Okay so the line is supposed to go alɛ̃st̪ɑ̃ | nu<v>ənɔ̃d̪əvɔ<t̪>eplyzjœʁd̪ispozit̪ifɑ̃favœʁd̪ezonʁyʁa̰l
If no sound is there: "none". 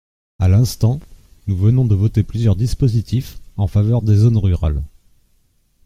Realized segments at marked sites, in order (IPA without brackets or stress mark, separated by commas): v, t̪